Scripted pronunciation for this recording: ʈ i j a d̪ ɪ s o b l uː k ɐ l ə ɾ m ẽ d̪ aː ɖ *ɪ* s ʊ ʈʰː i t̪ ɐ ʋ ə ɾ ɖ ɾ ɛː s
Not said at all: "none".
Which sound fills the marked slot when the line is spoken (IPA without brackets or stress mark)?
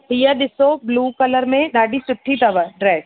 i